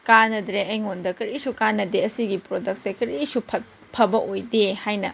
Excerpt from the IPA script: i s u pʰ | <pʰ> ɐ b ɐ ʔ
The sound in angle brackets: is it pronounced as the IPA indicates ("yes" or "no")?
yes